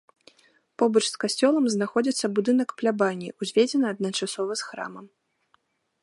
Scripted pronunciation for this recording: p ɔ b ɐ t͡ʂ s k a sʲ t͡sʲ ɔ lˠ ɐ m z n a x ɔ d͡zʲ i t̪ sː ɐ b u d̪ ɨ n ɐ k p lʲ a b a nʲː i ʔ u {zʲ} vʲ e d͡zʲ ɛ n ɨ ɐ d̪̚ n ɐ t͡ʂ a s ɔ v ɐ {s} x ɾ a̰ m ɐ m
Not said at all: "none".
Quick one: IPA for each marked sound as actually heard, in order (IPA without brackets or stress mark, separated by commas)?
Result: zʲ, s